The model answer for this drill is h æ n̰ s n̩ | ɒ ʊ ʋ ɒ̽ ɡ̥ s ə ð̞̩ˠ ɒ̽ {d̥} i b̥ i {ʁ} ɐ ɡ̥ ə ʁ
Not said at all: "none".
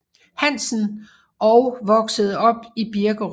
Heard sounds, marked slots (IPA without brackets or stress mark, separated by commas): b̥, none